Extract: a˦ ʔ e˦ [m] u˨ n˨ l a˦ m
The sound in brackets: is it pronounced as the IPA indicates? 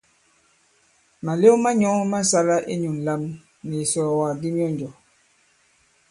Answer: no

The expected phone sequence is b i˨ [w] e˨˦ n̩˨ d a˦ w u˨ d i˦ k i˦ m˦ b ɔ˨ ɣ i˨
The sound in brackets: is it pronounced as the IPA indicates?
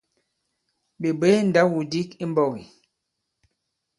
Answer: no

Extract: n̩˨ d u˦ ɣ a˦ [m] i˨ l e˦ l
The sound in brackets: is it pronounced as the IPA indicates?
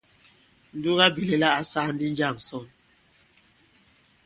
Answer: no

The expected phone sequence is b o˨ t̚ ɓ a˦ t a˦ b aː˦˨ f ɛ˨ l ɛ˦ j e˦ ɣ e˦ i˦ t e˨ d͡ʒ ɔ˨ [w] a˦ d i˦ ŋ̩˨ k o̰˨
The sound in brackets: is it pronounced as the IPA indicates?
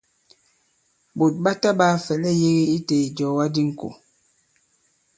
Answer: yes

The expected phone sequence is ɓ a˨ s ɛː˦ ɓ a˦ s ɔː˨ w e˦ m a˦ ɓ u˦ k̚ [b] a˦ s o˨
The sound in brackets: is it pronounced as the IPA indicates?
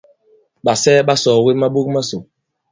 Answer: no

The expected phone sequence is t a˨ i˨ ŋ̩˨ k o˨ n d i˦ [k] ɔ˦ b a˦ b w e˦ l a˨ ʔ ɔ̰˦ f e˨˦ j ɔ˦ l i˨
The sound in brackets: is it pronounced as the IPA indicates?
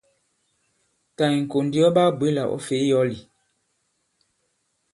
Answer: no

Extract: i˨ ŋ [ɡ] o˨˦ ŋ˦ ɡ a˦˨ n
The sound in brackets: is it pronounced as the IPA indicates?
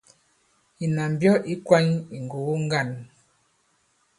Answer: yes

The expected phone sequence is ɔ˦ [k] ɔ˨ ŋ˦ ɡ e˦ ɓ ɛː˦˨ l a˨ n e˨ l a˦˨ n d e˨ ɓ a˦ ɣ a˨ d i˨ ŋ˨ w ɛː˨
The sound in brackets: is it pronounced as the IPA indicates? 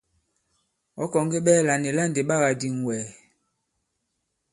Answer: yes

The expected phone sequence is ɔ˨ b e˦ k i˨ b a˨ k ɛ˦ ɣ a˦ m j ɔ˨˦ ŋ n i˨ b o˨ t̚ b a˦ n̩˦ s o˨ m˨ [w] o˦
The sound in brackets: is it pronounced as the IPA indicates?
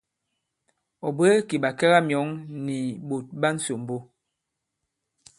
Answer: no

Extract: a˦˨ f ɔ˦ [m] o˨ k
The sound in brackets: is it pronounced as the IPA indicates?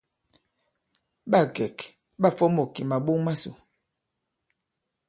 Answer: yes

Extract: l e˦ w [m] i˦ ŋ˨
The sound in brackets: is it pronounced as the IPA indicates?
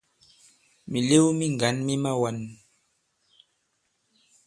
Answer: yes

